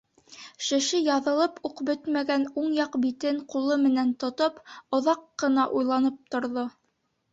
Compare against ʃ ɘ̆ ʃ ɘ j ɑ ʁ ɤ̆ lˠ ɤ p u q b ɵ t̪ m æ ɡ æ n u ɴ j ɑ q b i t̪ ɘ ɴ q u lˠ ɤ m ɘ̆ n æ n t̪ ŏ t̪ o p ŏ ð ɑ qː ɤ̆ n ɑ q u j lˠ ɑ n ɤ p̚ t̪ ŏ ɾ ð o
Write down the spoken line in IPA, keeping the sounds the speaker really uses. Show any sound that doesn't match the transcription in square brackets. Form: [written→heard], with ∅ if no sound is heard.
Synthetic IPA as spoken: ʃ ɘ̆ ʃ ɘ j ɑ [ʁ→ð] ɤ̆ lˠ ɤ p u q b ɵ t̪ m æ ɡ æ n u ɴ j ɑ q b i t̪ ɘ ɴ q u lˠ ɤ m ɘ̆ n æ n t̪ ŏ t̪ o p ŏ ð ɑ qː ɤ̆ n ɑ [q→ʔ] u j lˠ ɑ n ɤ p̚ t̪ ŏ ɾ ð o

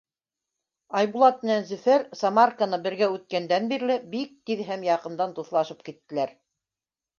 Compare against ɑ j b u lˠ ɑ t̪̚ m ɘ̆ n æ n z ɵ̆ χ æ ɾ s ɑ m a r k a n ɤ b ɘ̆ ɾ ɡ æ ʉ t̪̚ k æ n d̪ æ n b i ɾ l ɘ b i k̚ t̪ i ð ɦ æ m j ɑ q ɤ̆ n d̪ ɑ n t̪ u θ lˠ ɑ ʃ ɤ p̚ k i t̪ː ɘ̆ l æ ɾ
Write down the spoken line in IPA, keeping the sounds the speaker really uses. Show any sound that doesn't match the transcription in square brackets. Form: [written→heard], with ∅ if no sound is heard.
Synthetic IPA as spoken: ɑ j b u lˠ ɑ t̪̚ m ɘ̆ n æ n z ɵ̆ [χ→f] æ ɾ s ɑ m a r k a n ɤ b ɘ̆ ɾ ɡ æ ʉ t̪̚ k æ n d̪ æ n b i ɾ l ɘ b i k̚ t̪ i ð ɦ æ m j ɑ q ɤ̆ n d̪ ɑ n t̪ u θ lˠ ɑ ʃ ɤ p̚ k i t̪ː ɘ̆ l æ ɾ

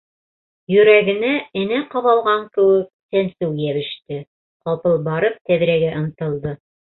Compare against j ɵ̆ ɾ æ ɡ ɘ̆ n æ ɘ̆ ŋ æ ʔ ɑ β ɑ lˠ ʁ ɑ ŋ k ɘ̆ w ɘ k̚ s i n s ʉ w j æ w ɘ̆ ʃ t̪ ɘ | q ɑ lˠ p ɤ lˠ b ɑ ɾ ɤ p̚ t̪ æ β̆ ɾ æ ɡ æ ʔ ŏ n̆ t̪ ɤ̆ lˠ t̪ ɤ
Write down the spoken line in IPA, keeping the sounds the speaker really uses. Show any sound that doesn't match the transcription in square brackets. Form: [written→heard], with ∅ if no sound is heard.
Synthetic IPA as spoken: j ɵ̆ ɾ æ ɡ ɘ̆ n æ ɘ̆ [ŋ→n] æ [ʔ→q] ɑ β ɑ lˠ ʁ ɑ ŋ k ɘ̆ w ɘ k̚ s [i→æ] n s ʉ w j æ [w→β] ɘ̆ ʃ t̪ ɘ | q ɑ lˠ p ɤ lˠ b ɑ ɾ ɤ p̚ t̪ æ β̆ ɾ æ ɡ æ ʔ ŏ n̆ t̪ ɤ̆ lˠ [t̪→d̪] ɤ

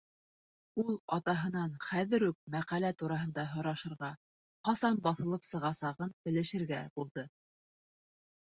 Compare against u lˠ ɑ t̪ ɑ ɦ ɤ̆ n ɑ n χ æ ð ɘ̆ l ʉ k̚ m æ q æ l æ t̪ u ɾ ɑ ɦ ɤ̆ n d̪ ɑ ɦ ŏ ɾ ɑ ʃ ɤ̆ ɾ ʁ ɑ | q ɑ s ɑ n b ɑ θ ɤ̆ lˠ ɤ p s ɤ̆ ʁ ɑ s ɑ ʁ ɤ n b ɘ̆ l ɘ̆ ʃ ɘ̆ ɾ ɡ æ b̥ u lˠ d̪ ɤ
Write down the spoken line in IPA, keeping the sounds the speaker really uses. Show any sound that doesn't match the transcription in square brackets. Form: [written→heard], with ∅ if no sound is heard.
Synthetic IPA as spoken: u lˠ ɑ t̪ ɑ ɦ ɤ̆ n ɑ n χ æ ð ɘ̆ [l→ɾ] ʉ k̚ m æ q æ l æ t̪ u ɾ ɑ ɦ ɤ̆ n d̪ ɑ ɦ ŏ ɾ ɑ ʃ ɤ̆ ɾ ʁ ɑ | q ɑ s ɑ n b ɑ θ ɤ̆ lˠ ɤ p s ɤ̆ ʁ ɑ s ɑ ʁ ɤ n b ɘ̆ l ɘ̆ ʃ ɘ̆ ɾ ɡ æ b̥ u lˠ d̪ ɤ

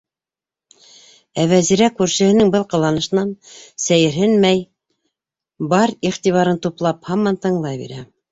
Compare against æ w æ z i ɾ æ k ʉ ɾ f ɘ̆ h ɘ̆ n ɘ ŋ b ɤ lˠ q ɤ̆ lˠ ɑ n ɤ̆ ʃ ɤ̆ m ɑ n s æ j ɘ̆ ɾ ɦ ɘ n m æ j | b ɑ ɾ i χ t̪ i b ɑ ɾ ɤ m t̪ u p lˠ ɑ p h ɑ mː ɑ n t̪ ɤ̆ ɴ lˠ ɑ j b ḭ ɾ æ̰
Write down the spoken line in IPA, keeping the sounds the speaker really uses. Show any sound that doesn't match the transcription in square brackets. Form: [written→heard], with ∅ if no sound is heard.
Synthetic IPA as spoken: æ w æ z i ɾ æ k ʉ ɾ [f→ʃ] ɘ̆ h ɘ̆ n ɘ ŋ b ɤ lˠ q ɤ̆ lˠ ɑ n ɤ̆ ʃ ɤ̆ [m→n] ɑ n s æ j ɘ̆ ɾ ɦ ɘ n m æ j | b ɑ ɾ i χ t̪ i [b→β] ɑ ɾ ɤ [m→n] t̪ u p lˠ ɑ p h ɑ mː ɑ n t̪ ɤ̆ ɴ lˠ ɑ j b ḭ ɾ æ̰

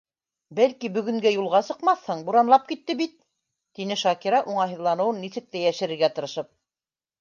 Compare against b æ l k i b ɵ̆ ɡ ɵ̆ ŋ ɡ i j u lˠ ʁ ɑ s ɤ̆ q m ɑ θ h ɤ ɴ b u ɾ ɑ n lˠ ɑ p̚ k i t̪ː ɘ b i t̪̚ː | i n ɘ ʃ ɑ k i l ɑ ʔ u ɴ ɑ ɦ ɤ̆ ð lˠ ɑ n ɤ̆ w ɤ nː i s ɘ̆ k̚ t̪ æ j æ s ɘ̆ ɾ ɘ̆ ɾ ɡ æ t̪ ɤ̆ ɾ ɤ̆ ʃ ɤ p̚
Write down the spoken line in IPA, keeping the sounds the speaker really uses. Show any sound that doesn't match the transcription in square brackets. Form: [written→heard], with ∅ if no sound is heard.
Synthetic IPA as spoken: b æ l k i b ɵ̆ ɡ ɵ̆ ŋ ɡ [i→æ] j u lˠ ʁ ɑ s ɤ̆ q m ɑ θ h ɤ ɴ b u ɾ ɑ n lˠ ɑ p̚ k i t̪ː ɘ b i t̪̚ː | i n ɘ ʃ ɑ k i [l→ɾ] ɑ ʔ u ɴ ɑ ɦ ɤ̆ ð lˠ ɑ n ɤ̆ w ɤ nː i s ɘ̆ k̚ t̪ æ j æ [s→ʃ] ɘ̆ ɾ ɘ̆ ɾ ɡ æ t̪ ɤ̆ ɾ ɤ̆ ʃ ɤ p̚

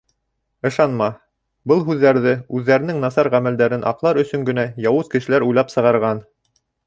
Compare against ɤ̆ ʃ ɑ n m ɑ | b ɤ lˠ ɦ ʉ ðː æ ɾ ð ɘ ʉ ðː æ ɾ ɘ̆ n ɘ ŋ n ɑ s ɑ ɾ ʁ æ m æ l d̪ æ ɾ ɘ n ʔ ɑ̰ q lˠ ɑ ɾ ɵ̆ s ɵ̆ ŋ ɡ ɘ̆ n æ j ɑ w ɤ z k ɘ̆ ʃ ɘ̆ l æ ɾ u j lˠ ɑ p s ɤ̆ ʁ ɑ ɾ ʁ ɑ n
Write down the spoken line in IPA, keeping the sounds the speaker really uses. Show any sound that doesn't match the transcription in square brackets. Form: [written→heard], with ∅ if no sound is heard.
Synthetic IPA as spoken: ɤ̆ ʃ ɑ n m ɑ | b ɤ lˠ ɦ ʉ ðː æ ɾ ð ɘ ʉ ðː æ ɾ ɘ̆ n ɘ ŋ n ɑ s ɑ ɾ ʁ æ m æ l d̪ æ ɾ ɘ n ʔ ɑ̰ q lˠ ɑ ɾ ɵ̆ s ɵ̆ ŋ ɡ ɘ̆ n æ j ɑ w ɤ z k ɘ̆ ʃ ɘ̆ l æ ɾ u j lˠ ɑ p s ɤ̆ ʁ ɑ ɾ ʁ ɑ n

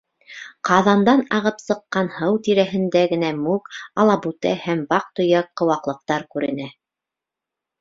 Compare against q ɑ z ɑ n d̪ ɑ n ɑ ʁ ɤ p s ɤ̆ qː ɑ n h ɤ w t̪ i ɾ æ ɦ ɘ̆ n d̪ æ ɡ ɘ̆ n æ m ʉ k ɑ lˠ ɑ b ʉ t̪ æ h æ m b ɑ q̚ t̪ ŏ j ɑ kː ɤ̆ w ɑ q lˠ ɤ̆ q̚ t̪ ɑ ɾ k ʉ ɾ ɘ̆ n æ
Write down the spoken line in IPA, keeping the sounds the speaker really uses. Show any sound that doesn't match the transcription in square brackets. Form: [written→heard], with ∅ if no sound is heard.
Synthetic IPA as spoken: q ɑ [z→ð] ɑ n d̪ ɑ n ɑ ʁ ɤ p s ɤ̆ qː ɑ n h ɤ w t̪ i ɾ æ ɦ ɘ̆ n d̪ æ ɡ ɘ̆ n æ m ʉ k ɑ lˠ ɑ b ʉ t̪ æ h æ m b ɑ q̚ t̪ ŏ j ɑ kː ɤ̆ w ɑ q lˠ ɤ̆ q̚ t̪ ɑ ɾ k ʉ ɾ ɘ̆ n æ

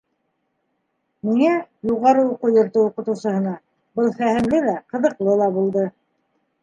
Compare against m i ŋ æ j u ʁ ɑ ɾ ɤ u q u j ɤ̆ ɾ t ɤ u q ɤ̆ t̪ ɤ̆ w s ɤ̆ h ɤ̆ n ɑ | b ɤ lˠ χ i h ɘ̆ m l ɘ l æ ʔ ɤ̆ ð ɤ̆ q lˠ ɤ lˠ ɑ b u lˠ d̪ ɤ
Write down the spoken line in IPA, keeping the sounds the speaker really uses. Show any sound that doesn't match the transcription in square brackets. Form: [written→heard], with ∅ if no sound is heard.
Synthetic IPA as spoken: m i ŋ æ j u ʁ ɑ ɾ ɤ u q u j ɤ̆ ɾ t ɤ u q ɤ̆ t̪ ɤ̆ w s ɤ̆ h ɤ̆ n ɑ | b ɤ lˠ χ [i→æ] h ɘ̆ m l ɘ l æ [ʔ→q] ɤ̆ ð ɤ̆ q lˠ ɤ lˠ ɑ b u lˠ d̪ ɤ

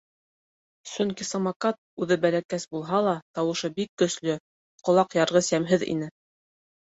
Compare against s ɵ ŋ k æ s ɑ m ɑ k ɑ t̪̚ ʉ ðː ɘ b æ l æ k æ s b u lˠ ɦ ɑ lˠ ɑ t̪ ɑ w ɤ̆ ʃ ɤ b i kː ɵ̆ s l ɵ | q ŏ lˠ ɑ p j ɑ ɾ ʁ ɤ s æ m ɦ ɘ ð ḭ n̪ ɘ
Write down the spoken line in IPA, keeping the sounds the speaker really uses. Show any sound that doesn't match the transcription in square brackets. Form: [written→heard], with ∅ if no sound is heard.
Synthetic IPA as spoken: s ɵ ŋ k [æ→i] s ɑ m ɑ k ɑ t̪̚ ʉ [ðː→ð] ɘ b æ l æ k æ s b u lˠ ɦ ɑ lˠ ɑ t̪ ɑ w ɤ̆ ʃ ɤ b i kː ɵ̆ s l ɵ | q ŏ lˠ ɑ [p→q] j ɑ ɾ ʁ ɤ s æ m ɦ ɘ ð ḭ n̪ ɘ

